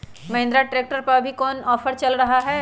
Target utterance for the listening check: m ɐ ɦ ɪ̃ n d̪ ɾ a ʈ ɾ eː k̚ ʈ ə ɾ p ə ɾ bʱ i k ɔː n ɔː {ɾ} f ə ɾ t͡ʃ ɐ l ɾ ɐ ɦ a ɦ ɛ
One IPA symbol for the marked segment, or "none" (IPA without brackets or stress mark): none